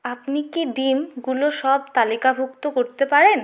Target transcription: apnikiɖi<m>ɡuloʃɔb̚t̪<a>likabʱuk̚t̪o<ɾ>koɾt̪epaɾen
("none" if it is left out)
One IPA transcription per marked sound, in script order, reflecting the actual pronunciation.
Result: m, a, none

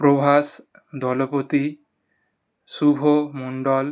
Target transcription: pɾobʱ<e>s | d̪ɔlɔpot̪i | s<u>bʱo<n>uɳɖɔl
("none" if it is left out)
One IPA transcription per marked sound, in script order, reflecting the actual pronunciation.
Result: a, u, m

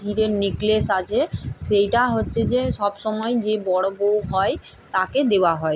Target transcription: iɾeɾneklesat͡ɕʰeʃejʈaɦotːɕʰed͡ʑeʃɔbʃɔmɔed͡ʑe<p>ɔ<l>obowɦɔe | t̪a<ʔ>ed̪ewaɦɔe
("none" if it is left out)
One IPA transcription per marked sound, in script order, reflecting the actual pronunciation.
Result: b, ɽ, k

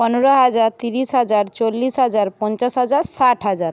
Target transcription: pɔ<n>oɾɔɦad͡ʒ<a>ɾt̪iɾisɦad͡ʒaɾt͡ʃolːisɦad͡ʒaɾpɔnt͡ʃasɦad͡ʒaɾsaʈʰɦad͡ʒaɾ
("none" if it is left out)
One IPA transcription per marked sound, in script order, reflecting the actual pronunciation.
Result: n, a

